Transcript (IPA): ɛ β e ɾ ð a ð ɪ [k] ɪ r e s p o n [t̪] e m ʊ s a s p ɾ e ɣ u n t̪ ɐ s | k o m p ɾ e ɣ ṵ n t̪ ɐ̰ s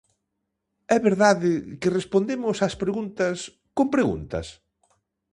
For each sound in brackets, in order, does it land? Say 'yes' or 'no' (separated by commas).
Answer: yes, no